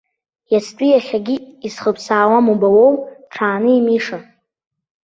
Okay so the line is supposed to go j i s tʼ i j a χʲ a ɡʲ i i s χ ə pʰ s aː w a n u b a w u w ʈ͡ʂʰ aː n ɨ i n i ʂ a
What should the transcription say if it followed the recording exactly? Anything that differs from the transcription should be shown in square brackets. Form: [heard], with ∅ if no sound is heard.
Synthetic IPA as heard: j [a] s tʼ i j a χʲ a ɡʲ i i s χ ə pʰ s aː w a [m] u b a w [o] w ʈ͡ʂʰ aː n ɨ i [m] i ʂ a